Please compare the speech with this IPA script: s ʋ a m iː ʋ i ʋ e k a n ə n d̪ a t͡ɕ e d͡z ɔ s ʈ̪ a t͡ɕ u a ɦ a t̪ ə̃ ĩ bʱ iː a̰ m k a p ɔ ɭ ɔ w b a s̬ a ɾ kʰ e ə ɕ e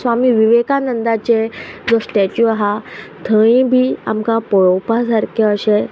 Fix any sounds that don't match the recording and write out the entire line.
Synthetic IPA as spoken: s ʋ a m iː ʋ i ʋ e k a n ə n d̪ a t͡ɕ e d͡z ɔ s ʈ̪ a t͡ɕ u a ɦ a t̪ʰ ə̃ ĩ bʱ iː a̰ m k a p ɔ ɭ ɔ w p a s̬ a ɾ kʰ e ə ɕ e